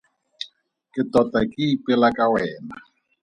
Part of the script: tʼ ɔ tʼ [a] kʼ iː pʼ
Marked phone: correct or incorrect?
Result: correct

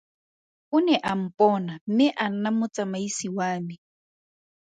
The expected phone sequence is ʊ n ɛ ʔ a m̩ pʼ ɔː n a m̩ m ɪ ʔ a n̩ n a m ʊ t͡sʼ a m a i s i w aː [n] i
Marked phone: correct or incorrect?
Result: incorrect: m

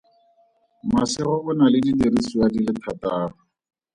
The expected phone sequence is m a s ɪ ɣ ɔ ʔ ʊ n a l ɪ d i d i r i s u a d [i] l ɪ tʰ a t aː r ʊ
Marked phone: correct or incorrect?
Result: correct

